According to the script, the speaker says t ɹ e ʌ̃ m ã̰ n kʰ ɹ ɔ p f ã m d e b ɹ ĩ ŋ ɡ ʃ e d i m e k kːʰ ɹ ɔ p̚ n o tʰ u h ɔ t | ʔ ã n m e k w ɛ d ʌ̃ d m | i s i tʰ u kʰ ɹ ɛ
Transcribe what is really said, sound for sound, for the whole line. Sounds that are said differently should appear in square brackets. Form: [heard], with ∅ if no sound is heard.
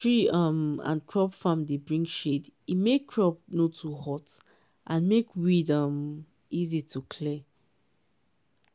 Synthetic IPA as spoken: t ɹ [i] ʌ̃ m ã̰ n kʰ ɹ ɔ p f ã m d e b ɹ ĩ ŋ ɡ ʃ e d i m e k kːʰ ɹ ɔ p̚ n o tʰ u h ɔ t | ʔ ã n m e k w [i] d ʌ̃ [∅] m | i [z] i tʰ u kʰ [l] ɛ